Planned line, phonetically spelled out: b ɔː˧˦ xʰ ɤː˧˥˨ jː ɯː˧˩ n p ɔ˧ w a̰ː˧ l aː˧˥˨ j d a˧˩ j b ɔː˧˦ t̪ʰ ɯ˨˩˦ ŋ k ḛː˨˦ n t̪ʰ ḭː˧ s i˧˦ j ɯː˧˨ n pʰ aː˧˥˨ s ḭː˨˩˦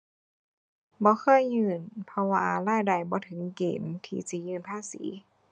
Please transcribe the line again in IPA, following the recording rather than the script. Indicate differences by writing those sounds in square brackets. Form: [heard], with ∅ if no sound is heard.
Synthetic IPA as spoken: b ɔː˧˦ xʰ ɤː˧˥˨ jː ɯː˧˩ n [pʰ] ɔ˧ w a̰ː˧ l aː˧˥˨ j d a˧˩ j b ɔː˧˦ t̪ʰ ɯ˨˩˦ ŋ k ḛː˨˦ n t̪ʰ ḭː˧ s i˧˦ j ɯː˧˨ n pʰ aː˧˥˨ s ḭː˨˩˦